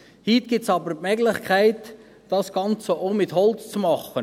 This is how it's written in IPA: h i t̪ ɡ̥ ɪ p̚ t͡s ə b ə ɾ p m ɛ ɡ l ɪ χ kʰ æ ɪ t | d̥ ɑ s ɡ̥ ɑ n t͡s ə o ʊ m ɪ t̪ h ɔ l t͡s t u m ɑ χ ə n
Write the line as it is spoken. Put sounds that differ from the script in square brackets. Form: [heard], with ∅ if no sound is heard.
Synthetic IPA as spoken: h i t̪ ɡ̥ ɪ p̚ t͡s [ɑ] b ə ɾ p m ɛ ɡ l ɪ χ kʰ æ ɪ t | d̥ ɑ s ɡ̥ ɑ n t͡s ə o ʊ m ɪ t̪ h ɔ l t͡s [t͡s] u m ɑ χ ə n